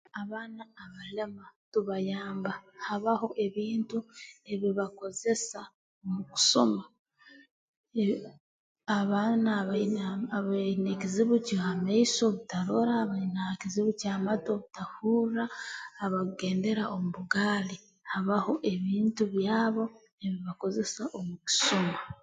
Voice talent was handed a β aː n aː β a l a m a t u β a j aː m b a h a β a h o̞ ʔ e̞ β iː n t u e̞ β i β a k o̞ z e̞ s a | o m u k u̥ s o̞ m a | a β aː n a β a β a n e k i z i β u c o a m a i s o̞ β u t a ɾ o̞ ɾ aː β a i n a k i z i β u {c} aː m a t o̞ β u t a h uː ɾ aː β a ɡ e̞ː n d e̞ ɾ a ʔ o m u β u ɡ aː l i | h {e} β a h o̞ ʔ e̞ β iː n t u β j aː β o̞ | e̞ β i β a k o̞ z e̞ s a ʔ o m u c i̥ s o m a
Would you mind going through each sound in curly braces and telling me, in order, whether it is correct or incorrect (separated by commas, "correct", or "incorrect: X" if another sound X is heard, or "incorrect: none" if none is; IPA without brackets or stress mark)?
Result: correct, incorrect: a